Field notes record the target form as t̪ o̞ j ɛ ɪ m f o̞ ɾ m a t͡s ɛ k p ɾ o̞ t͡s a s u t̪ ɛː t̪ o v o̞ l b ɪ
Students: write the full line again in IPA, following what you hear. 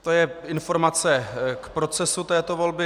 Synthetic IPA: t̪ o̞ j ɛ ɪ n f o̞ ɾ m a t͡s ɛ k p ɾ o̞ t͡s ɛ s u t̪ ɛː t̪ o v o̞ l b ɪ